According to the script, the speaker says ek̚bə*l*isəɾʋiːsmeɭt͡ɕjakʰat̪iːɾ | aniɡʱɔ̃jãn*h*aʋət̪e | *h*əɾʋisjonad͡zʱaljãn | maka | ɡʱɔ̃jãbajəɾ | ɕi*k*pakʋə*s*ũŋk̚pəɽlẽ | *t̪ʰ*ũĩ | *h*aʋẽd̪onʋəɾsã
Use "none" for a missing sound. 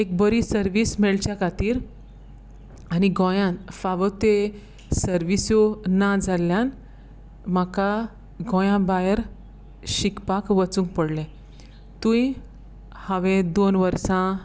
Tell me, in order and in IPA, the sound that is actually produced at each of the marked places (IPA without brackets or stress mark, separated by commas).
ɾ, f, s, k, t͡s, t̪, h